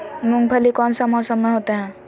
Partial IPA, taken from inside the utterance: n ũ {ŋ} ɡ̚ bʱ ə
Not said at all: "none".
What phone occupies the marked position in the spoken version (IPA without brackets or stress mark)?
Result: ŋ